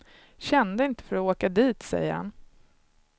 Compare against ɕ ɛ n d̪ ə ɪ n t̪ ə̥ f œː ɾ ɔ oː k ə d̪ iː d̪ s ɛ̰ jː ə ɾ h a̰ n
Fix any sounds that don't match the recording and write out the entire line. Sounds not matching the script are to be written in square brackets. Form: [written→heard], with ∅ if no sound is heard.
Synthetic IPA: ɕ ɛ n d̪ ə ɪ n t̪ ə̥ f [œː→œ] ɾ ɔ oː k [ə→a] d̪ iː [d̪→t̪] s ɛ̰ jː ə ɾ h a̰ n